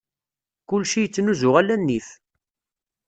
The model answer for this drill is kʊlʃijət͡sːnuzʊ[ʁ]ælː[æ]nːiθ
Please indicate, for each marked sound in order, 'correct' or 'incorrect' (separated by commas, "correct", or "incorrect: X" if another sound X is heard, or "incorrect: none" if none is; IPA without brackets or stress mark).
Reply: correct, correct